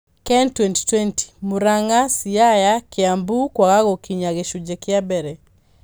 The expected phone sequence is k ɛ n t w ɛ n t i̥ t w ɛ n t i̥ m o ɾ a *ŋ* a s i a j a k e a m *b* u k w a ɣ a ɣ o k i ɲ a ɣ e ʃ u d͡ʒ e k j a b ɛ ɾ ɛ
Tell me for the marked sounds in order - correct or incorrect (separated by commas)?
correct, correct